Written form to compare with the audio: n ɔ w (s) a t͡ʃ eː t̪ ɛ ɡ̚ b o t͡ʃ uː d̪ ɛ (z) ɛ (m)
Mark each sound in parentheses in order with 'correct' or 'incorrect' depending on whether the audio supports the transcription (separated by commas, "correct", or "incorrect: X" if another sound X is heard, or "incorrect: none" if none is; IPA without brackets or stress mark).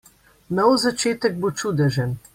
incorrect: z, incorrect: ʒ, incorrect: n